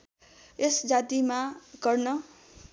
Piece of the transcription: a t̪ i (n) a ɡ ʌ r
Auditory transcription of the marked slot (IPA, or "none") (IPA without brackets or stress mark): m